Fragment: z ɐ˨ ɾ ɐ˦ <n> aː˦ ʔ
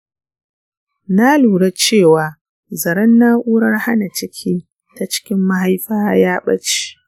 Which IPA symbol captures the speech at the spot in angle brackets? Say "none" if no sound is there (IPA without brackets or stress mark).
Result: nː